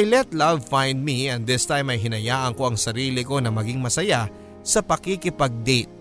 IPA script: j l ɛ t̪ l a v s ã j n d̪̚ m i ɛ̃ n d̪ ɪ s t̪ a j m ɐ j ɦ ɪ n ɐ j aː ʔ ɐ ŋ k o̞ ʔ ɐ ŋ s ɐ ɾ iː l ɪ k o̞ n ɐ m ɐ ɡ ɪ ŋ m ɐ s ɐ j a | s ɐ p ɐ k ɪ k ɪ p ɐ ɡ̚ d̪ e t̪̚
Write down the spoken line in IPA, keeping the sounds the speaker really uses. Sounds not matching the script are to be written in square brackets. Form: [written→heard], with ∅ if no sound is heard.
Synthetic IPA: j l ɛ t̪ l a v [s→f] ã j n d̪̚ m i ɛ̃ n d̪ ɪ s t̪ a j m ɐ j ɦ ɪ n ɐ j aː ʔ ɐ ŋ k o̞ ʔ ɐ ŋ s ɐ ɾ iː l ɪ k o̞ n ɐ m ɐ ɡ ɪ ŋ m ɐ s ɐ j a | s ɐ p ɐ k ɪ k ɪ p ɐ ɡ̚ d̪ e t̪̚